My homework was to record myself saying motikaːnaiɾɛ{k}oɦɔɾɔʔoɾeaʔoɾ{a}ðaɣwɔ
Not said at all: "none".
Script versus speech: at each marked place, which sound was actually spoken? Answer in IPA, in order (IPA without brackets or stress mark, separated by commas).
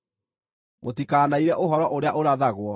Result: ʔ, a